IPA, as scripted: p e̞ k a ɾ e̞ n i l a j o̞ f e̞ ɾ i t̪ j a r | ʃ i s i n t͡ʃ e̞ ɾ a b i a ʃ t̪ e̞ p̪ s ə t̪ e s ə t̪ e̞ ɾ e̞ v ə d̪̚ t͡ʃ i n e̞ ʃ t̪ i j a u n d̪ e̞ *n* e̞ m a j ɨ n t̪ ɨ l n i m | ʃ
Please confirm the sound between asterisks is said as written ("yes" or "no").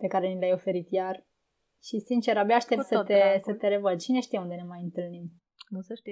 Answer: yes